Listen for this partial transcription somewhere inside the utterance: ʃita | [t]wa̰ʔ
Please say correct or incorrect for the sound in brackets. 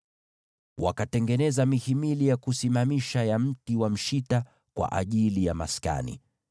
incorrect